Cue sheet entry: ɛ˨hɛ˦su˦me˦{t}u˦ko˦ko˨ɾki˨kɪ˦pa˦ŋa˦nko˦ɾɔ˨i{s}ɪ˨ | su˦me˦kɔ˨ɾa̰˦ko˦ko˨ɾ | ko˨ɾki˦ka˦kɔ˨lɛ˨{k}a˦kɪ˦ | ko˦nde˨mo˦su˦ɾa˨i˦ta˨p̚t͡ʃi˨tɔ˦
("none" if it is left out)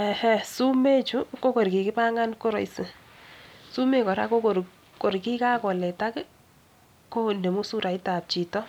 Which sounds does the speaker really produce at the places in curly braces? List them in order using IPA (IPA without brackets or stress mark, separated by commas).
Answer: t͡ʃ, s, t